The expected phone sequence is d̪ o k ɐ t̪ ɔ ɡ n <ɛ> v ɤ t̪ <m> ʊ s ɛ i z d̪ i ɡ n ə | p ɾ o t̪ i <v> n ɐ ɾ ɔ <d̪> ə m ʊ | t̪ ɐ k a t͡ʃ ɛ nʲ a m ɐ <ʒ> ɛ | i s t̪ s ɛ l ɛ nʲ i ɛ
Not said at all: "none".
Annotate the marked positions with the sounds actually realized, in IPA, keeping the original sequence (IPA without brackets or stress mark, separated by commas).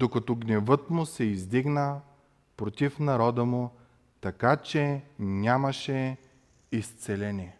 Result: ɛ, m, f, d̪, ʃ